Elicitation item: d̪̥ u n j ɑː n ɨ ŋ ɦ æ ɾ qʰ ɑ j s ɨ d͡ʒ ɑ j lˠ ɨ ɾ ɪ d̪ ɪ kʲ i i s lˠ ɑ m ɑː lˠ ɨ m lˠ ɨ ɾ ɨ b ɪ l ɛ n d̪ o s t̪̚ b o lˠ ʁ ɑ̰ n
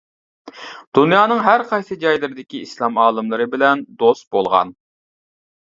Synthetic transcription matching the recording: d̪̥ u n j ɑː n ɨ ŋ ɦ æ ɾ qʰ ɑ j s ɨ d͡ʒ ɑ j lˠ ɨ ɾ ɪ d̪ ɪ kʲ i i s lˠ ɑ m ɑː lˠ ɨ m lˠ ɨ ɾ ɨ b ɪ l ɛ n d̪ o s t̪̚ b o lˠ ʁ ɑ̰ n